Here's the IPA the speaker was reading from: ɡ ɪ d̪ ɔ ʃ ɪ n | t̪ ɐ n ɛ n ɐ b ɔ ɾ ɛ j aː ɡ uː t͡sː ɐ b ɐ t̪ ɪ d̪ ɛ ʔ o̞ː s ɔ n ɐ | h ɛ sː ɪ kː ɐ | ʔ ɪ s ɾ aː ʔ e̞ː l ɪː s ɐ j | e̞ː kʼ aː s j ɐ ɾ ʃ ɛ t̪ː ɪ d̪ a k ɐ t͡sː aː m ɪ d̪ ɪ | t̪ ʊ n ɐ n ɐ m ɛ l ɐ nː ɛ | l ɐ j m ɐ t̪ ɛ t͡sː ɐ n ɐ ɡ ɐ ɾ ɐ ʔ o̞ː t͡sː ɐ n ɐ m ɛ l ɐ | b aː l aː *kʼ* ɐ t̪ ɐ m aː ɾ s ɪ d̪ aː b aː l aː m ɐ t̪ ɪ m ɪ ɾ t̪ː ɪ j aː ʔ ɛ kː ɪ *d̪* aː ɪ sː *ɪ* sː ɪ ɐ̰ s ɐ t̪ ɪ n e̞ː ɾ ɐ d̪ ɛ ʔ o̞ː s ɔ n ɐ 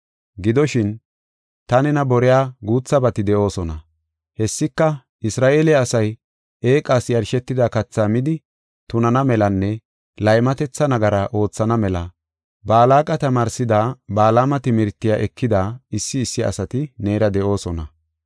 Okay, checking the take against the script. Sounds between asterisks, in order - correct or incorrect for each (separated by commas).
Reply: correct, correct, incorrect